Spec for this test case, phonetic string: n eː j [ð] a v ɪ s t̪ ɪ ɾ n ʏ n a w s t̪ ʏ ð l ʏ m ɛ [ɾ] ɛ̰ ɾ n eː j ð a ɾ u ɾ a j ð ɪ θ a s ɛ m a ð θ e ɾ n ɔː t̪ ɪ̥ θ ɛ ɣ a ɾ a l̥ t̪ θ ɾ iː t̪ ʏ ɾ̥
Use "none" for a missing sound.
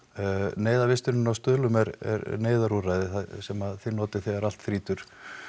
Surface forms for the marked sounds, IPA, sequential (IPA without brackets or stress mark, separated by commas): ð, ɾ